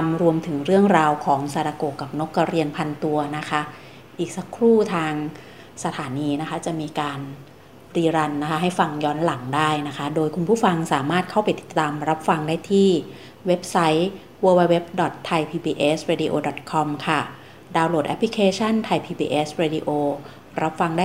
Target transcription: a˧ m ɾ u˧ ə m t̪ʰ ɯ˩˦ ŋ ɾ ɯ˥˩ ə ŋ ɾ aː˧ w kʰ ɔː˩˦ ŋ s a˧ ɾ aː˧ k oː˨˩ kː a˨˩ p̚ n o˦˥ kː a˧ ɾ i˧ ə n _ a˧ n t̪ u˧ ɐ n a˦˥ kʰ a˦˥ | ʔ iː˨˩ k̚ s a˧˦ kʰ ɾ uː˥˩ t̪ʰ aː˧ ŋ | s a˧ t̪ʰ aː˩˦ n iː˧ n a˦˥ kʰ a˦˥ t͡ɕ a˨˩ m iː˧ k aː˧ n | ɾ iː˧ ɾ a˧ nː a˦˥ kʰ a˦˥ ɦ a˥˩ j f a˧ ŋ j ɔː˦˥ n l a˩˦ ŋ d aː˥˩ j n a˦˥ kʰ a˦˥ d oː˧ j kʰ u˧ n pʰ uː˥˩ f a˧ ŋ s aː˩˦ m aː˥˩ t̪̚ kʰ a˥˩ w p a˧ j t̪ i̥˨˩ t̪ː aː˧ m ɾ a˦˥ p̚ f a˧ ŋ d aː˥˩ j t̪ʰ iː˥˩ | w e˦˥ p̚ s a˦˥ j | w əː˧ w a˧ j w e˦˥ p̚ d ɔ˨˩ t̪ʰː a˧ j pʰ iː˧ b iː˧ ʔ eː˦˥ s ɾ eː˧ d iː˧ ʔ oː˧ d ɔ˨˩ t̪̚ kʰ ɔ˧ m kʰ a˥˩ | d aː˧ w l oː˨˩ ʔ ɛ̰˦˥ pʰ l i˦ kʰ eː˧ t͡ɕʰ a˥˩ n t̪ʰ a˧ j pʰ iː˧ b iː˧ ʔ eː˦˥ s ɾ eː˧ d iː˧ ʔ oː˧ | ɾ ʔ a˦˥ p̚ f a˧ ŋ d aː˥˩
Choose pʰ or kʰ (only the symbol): pʰ